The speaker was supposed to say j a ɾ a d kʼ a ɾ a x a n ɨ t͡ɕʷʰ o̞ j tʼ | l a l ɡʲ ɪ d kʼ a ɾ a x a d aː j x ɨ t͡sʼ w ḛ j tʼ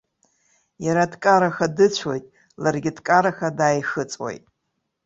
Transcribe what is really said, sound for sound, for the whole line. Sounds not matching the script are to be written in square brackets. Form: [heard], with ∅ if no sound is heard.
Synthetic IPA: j a ɾ a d kʼ a ɾ a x a [d] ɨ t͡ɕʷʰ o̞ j tʼ | l a [r] ɡʲ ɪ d kʼ a ɾ a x a d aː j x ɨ t͡sʼ w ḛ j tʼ